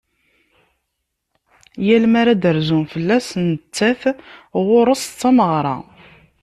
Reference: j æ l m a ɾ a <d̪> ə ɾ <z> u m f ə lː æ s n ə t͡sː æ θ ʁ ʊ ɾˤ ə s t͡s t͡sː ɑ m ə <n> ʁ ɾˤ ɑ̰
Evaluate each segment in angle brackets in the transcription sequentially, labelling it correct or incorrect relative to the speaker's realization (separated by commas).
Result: correct, correct, incorrect